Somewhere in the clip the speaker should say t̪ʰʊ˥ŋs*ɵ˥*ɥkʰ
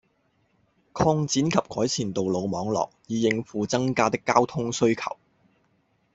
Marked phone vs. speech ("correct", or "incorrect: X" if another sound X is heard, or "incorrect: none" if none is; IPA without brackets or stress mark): correct